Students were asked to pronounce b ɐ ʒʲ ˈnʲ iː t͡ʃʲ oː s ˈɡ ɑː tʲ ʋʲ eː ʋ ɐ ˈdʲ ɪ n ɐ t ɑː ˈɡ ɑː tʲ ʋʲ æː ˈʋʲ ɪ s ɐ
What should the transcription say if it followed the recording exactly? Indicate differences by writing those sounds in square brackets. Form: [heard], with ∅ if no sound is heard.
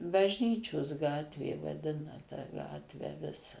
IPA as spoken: b ɐ ʒʲ ˈnʲ iː t͡ʃʲ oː s ˈɡ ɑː tʲ ʋʲ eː ʋ ɐ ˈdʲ ɪ n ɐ t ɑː ˈɡ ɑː tʲ ʋʲ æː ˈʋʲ ɪ s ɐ